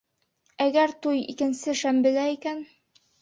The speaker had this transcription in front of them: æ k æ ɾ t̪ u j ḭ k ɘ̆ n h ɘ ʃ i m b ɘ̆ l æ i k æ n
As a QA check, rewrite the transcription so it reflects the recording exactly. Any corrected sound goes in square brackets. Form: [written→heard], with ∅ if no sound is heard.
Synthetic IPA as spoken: æ [k→ɡ] æ ɾ t̪ u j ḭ k ɘ̆ n [h→s] ɘ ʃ [i→æ] m b ɘ̆ l æ i k æ n